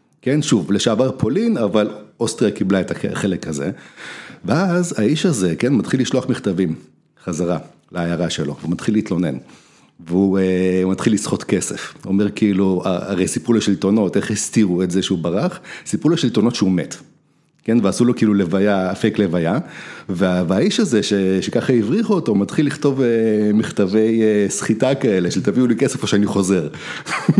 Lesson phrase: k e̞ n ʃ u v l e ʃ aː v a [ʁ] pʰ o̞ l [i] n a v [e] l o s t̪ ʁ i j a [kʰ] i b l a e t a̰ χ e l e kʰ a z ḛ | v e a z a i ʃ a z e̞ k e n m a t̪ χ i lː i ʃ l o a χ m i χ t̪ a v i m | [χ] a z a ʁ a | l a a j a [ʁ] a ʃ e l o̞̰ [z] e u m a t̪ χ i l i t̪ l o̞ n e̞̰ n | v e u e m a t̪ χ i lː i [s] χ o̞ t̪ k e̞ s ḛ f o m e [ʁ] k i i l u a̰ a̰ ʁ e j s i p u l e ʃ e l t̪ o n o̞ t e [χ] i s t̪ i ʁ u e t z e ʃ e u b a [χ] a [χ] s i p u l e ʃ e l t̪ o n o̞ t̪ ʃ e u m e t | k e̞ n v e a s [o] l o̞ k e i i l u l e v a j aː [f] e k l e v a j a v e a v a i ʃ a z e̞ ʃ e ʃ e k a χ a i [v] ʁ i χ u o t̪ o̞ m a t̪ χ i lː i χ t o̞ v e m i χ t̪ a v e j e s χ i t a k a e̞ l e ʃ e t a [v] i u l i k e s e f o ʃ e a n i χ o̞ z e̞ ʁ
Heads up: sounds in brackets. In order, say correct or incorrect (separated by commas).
correct, correct, incorrect, incorrect, correct, correct, incorrect, correct, correct, correct, incorrect, correct, incorrect, correct, correct, correct